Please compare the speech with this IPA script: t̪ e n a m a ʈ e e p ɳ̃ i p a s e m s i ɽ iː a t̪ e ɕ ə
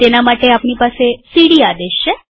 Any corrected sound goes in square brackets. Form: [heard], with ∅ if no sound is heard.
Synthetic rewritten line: t̪ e n a m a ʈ e [a] p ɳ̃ i p a s e [∅] s i ɽ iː a [d̪] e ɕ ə